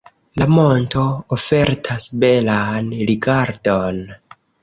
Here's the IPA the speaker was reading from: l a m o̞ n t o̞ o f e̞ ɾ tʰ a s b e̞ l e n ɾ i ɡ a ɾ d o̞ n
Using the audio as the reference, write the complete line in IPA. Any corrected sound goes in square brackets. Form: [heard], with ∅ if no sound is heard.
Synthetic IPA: l a m o̞ n t o̞ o f e̞ ɾ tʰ a s b e̞ l [a] n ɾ i ɡ a ɾ d o̞ n